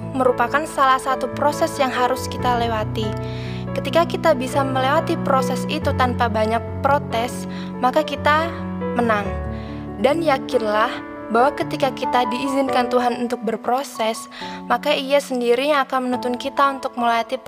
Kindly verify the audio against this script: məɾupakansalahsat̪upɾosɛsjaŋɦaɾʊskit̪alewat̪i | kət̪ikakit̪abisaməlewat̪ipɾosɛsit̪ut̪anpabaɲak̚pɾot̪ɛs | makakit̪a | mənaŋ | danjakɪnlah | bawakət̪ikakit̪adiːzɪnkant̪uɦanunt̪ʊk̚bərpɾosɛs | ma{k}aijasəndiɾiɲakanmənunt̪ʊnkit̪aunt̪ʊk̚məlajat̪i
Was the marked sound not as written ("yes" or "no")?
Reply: no